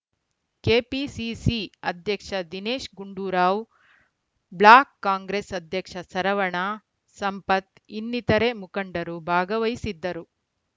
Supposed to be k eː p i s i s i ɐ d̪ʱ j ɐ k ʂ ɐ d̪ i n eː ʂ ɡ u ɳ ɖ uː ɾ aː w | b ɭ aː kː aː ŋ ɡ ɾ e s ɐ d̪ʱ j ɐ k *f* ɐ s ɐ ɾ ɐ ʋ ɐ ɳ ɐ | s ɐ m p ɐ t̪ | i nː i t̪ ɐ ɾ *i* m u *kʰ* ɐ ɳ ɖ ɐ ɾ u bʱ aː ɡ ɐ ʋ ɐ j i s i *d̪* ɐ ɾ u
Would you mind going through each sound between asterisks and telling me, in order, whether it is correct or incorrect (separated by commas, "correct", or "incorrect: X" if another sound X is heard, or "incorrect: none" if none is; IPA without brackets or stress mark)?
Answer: incorrect: ʂ, incorrect: e, incorrect: k, incorrect: d̪ː